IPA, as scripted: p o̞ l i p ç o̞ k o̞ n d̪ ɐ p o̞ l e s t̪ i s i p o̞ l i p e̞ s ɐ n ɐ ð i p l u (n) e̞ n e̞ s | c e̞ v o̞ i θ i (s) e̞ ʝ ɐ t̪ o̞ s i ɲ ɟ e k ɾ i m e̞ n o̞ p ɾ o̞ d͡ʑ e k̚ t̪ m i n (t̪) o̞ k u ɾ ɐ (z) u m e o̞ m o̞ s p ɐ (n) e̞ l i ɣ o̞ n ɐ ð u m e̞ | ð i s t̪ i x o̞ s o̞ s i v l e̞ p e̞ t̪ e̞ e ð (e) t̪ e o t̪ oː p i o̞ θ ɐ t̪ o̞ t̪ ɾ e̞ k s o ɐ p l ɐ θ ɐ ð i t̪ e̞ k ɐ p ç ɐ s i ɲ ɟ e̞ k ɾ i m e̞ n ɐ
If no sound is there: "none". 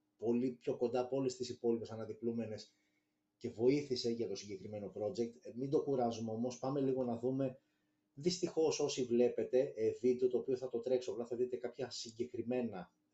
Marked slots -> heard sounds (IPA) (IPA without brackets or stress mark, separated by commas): m, s, d̪, z, m, i